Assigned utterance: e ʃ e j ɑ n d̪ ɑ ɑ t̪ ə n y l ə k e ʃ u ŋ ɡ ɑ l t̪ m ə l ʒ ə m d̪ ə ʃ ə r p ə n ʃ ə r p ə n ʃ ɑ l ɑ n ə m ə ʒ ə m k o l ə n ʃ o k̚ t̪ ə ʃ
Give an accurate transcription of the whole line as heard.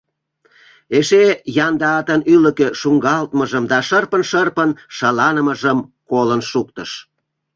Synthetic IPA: e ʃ e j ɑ n d̪ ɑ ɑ t̪ ə n y l ə k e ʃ u ŋ ɡ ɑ l t̪ m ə ʒ ə m d̪ ɑ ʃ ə r p ə n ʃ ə r p ə n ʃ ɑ l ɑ n ə m ə ʒ ə m k o l ə n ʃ u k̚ t̪ ə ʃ